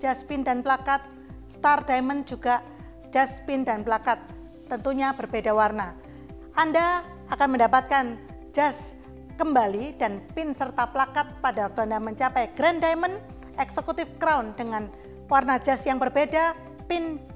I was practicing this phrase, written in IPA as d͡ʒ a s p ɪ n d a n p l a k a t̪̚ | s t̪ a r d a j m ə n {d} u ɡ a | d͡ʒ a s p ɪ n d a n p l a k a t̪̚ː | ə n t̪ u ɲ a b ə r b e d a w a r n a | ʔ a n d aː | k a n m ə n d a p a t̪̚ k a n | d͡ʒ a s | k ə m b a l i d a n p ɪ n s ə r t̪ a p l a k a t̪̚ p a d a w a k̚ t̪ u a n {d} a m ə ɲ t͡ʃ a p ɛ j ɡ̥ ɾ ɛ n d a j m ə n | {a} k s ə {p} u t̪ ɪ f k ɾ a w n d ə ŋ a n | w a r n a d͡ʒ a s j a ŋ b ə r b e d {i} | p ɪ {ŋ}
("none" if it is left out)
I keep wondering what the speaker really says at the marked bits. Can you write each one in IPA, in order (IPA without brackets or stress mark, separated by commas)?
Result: d͡ʒ, d, ɛ, k, a, n